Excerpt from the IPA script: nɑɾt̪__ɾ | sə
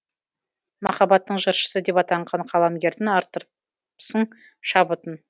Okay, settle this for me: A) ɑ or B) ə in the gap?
B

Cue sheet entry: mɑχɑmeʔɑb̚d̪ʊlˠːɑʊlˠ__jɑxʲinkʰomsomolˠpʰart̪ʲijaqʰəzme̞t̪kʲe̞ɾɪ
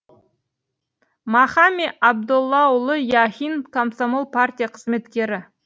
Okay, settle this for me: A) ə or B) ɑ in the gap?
A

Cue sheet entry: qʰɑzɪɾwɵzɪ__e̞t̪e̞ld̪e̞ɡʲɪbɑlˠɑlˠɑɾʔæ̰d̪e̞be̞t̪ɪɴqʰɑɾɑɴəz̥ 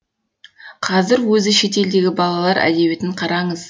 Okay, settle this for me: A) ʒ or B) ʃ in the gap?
B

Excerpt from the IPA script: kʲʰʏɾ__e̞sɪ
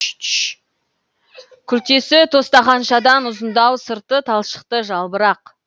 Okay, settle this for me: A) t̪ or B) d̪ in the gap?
A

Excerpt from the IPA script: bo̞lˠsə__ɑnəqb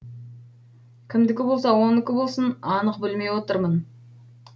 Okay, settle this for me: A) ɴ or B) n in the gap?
B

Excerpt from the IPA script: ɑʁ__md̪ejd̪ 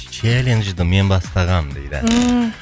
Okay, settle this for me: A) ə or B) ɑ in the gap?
B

